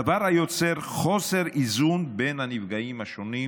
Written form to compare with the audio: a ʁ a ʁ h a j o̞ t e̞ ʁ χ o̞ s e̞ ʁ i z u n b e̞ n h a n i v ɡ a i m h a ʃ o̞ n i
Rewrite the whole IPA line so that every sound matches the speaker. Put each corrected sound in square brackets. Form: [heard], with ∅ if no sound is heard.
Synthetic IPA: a [v] a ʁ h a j o̞ [t͡s] e̞ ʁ χ o̞ s e̞ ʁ i z u n b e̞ n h a n i v ɡ a i m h a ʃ o̞ n i